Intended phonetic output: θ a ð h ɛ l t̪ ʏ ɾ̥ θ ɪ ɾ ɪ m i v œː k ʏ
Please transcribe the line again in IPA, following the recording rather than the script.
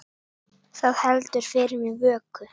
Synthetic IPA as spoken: θ a ð h ɛ l t̪ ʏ ɾ̥ f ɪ ɾ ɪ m i v œː k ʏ